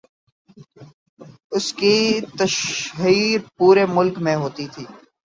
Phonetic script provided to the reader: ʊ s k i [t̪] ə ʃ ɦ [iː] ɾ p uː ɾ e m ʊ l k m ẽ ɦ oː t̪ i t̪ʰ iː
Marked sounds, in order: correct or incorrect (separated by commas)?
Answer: correct, correct